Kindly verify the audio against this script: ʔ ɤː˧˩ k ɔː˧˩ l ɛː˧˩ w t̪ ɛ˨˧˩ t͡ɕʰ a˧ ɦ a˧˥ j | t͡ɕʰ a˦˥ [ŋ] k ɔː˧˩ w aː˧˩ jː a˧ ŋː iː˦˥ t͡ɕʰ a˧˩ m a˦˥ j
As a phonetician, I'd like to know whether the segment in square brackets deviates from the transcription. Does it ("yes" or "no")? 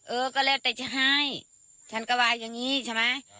yes